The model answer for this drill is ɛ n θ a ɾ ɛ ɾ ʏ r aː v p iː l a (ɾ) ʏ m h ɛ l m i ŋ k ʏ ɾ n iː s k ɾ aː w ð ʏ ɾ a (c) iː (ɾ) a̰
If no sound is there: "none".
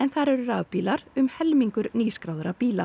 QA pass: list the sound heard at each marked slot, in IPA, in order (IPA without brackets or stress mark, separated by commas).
ɾ, p, l